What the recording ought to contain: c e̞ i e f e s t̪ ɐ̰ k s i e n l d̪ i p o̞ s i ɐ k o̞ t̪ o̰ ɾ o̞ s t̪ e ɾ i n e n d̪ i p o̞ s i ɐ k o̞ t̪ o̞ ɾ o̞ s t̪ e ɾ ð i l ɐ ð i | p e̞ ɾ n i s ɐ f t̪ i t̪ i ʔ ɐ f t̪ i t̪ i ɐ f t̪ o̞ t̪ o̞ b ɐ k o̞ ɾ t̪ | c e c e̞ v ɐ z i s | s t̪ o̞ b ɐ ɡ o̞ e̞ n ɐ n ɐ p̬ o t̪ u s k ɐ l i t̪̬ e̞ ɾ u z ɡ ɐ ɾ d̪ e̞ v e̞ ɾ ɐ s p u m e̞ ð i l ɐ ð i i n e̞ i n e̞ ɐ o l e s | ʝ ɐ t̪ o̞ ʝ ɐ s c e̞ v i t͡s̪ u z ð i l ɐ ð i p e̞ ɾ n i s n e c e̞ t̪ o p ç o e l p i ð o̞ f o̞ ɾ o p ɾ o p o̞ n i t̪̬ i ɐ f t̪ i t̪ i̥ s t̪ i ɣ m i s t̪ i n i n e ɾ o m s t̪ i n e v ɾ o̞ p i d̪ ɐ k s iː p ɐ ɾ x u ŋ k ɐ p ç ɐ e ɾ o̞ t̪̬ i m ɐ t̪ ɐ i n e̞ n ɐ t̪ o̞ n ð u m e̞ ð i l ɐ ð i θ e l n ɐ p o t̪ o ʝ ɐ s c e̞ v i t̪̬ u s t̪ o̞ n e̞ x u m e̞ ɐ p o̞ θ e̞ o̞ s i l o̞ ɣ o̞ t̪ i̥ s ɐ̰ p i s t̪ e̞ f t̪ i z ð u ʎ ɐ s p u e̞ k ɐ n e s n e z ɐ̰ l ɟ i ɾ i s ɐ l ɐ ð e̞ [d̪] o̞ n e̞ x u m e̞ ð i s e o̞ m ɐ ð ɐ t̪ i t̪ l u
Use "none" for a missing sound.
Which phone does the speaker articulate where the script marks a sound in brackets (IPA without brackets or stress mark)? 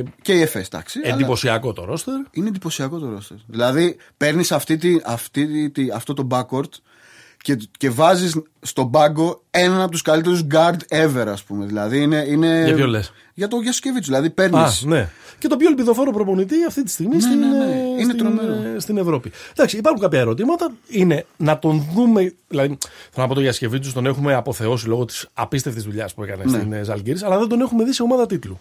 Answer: d̪